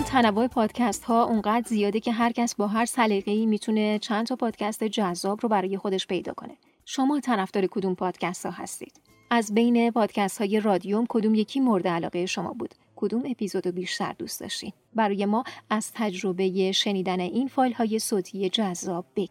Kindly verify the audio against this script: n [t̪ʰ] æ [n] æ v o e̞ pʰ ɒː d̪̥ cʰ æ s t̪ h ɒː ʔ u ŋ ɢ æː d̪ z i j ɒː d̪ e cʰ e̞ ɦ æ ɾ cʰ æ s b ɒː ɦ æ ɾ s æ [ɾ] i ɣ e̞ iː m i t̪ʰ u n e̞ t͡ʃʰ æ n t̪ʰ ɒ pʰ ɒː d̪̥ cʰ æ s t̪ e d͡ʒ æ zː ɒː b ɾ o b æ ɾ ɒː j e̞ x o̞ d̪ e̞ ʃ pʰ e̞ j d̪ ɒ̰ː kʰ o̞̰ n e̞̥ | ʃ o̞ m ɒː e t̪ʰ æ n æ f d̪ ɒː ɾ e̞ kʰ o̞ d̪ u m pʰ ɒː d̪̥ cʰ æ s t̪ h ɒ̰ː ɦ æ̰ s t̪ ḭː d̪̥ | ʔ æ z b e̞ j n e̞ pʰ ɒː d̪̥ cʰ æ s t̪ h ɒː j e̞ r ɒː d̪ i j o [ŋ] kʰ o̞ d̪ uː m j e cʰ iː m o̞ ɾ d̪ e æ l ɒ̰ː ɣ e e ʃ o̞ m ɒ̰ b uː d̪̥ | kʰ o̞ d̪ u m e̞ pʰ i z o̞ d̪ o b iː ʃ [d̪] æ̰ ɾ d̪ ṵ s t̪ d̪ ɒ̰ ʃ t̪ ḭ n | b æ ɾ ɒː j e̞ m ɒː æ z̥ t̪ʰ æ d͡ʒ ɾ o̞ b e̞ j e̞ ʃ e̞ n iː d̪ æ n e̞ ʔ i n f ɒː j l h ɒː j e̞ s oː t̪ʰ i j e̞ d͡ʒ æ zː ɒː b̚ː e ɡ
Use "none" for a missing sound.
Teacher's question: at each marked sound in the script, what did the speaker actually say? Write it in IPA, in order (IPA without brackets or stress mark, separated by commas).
t̪ʰ, n, l, m, t̪